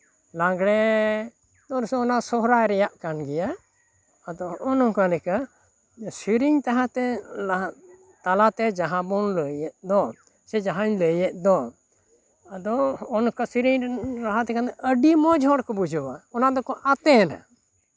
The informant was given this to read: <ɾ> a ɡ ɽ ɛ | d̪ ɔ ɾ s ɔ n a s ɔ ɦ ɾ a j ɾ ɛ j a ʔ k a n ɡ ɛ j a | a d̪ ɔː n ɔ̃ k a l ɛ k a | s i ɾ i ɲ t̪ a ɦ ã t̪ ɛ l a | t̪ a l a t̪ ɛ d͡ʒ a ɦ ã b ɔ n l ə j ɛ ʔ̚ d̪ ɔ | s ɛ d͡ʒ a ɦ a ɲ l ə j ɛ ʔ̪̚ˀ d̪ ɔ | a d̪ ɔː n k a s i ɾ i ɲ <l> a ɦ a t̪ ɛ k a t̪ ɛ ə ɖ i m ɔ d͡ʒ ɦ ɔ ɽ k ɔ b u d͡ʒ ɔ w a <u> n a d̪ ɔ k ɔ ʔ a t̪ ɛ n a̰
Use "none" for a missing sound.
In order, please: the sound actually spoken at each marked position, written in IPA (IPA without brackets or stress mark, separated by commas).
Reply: l, ɾ, ɔ